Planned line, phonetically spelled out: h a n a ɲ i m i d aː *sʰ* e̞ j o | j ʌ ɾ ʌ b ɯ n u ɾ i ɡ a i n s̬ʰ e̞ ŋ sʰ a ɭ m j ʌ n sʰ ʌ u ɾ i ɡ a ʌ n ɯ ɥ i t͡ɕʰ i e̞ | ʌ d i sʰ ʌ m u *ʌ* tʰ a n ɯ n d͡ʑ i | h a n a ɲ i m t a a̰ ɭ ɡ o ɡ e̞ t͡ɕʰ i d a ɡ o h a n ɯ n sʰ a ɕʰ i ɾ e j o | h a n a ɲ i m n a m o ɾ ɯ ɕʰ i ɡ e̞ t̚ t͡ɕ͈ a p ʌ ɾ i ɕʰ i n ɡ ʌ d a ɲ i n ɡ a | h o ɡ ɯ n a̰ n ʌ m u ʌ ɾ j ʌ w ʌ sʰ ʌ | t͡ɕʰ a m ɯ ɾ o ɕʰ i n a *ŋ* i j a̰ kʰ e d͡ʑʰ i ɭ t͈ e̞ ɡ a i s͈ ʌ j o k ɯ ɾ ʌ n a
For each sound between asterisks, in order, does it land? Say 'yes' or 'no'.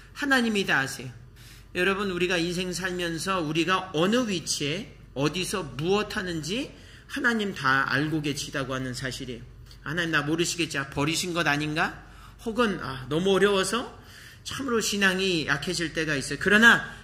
yes, yes, yes

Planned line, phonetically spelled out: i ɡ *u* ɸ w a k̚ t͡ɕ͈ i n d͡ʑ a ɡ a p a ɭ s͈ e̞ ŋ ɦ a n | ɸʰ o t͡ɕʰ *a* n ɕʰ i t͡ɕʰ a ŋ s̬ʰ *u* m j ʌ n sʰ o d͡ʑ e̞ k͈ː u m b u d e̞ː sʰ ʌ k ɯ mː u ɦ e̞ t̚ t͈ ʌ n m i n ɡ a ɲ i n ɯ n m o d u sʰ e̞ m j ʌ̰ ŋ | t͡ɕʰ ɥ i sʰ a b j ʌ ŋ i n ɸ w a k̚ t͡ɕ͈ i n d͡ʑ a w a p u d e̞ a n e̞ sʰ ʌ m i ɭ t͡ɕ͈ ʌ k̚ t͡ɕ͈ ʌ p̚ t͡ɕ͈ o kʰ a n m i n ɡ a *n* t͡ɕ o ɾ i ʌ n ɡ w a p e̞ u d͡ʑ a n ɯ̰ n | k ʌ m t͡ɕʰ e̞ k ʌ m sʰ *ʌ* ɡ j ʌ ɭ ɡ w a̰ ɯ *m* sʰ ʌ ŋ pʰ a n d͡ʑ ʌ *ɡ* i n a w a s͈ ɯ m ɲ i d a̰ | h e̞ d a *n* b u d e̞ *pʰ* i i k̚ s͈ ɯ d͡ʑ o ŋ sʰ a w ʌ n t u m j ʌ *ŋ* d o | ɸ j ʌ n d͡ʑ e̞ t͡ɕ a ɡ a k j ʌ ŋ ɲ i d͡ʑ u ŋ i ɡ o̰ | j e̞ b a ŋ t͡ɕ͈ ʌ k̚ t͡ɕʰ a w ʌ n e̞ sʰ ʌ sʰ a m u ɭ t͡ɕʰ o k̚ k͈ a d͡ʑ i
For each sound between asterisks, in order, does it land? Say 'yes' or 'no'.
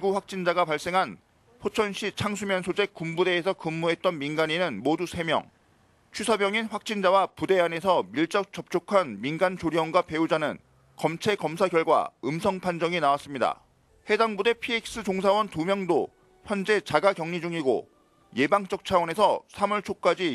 yes, no, yes, yes, no, yes, no, no, yes, yes

